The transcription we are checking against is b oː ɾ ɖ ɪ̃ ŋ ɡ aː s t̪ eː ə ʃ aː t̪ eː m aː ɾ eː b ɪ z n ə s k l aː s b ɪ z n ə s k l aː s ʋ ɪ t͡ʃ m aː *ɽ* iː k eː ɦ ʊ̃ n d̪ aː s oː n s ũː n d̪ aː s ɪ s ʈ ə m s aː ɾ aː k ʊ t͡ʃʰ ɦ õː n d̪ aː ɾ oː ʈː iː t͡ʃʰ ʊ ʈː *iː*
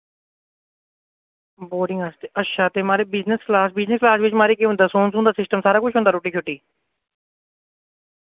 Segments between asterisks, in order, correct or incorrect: incorrect, correct

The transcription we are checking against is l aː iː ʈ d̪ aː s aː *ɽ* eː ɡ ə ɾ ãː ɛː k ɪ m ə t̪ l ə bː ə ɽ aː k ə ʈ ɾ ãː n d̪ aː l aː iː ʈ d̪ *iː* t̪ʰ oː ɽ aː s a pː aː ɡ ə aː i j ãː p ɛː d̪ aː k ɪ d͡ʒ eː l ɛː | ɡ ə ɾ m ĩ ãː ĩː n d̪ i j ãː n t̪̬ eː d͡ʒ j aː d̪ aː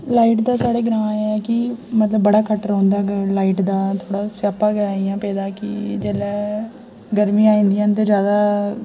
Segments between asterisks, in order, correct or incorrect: correct, incorrect

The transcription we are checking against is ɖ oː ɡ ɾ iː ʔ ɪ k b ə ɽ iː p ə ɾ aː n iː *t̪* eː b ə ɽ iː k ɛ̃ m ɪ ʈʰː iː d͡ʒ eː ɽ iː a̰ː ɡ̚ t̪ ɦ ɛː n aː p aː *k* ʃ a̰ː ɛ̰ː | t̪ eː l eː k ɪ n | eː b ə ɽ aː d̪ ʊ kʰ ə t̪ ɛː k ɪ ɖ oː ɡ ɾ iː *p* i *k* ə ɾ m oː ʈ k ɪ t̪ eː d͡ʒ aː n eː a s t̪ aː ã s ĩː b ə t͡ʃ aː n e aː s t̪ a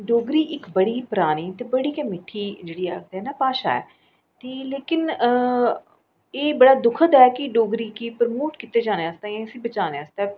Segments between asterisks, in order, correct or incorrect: correct, incorrect, incorrect, incorrect

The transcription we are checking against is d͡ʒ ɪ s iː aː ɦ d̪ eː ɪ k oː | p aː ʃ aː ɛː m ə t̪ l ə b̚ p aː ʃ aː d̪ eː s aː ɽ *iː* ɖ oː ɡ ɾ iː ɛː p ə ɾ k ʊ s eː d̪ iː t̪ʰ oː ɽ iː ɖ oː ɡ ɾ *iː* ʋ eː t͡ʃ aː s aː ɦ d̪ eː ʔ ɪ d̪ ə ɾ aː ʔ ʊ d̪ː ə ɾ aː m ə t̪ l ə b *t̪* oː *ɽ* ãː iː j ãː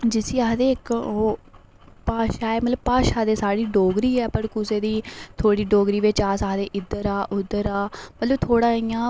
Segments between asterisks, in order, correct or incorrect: correct, correct, incorrect, correct

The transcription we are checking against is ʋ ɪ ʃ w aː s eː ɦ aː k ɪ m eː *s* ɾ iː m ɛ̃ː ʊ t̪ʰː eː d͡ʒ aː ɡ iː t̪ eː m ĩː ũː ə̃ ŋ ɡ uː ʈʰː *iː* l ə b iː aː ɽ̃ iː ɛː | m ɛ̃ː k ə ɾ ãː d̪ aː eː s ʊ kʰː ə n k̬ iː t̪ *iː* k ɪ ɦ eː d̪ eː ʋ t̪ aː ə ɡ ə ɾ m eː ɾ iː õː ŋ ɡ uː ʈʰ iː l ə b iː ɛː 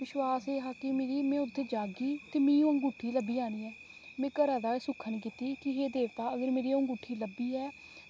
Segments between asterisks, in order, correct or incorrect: incorrect, correct, correct

